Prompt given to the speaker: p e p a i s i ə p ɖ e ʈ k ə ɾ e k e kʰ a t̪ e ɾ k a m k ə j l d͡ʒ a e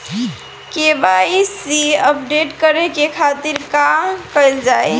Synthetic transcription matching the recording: k e b a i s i ə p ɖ e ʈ k ə ɾ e k e kʰ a t̪ i ɾ k a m k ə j l d͡ʒ a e